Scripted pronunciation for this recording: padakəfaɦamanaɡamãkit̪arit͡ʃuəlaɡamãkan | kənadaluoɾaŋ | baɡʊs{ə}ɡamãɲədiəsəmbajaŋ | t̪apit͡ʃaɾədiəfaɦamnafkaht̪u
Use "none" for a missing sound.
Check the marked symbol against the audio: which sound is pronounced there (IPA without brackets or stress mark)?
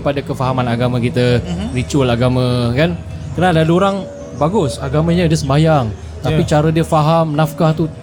a